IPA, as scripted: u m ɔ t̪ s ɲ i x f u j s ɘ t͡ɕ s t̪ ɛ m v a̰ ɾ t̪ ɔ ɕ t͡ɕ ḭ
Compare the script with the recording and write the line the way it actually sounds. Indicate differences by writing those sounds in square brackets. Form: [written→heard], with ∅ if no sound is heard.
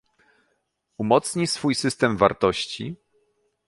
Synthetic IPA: u m ɔ t̪ s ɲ i [x→s] f u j s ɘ [t͡ɕ→∅] s t̪ ɛ m v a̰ ɾ t̪ ɔ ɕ t͡ɕ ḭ